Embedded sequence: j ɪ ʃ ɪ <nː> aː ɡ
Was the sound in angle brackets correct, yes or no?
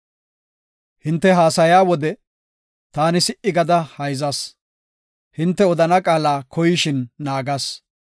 yes